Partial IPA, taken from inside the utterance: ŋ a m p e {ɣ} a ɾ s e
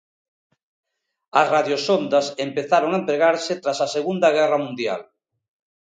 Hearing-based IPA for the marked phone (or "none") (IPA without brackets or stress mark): ɣ